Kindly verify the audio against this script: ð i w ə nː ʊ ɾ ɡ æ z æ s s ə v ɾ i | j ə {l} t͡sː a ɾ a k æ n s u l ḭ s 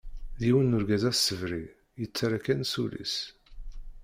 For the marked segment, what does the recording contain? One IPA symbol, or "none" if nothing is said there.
none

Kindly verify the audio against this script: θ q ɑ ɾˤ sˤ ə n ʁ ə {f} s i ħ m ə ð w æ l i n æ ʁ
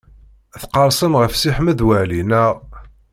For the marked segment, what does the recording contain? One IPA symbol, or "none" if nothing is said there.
f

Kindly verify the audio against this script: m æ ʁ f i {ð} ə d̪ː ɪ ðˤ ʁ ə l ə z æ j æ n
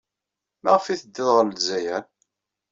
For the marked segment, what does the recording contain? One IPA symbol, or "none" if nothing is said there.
θ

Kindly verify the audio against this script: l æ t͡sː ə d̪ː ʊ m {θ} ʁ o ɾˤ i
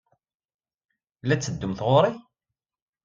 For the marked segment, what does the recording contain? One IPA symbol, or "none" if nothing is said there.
θ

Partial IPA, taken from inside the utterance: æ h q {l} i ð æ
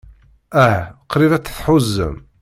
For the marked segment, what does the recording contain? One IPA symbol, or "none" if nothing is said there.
ɾ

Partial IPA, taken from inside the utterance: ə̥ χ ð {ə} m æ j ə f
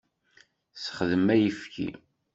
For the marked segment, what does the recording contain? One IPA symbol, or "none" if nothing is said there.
ə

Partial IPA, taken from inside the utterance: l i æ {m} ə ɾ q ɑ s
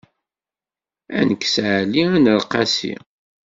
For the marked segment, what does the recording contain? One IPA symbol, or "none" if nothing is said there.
n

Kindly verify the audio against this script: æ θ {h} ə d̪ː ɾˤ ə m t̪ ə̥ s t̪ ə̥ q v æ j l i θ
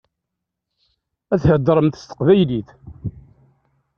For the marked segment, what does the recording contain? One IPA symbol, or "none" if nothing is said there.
h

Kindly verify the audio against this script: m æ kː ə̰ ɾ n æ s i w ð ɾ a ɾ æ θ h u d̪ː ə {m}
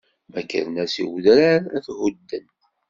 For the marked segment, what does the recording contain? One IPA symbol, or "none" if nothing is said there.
n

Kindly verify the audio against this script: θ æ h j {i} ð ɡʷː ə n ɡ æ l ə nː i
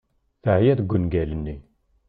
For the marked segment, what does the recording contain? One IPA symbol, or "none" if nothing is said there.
æ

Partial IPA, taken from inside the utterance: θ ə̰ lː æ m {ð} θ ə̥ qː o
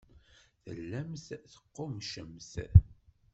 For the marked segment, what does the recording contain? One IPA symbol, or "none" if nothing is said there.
θ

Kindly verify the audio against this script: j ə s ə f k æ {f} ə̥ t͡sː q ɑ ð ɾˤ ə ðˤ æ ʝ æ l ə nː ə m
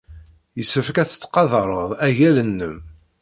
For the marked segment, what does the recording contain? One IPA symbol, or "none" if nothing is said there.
θ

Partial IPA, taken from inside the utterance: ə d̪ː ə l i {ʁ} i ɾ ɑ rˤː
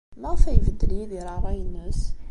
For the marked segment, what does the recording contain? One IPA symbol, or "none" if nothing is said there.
ð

